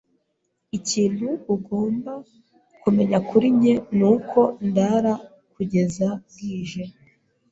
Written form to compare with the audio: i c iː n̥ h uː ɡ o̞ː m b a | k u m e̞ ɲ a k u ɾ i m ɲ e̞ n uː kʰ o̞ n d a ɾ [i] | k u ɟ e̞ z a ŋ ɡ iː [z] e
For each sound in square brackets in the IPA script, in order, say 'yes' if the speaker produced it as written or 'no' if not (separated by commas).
no, no